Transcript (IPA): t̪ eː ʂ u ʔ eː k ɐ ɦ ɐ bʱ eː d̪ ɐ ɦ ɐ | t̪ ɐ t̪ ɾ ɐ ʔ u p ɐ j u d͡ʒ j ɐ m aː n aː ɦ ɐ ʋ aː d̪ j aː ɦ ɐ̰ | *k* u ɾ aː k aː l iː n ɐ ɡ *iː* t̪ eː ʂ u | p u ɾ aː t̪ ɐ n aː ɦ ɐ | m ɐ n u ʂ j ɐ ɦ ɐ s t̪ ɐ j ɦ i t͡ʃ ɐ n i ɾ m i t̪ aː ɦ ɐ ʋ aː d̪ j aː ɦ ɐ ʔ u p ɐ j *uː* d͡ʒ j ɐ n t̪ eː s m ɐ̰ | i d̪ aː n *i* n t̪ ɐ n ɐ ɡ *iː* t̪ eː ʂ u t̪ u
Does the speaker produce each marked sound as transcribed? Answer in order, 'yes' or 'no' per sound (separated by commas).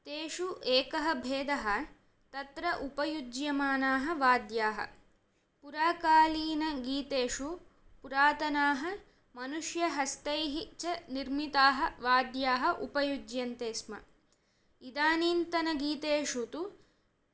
no, yes, no, no, yes